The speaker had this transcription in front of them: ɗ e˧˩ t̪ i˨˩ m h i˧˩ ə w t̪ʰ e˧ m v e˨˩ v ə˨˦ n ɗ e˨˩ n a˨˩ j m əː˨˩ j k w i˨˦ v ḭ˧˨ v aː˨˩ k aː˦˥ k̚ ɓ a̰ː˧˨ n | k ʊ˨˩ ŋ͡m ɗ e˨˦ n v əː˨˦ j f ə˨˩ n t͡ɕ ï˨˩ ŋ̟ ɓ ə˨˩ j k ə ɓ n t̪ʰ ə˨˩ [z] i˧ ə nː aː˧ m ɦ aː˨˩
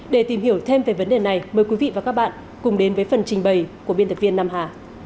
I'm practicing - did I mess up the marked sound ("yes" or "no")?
yes